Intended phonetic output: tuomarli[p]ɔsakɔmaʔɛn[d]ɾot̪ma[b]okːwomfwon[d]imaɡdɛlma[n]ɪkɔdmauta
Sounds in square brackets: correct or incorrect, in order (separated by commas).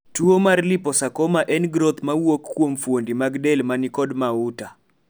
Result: correct, incorrect, incorrect, correct, correct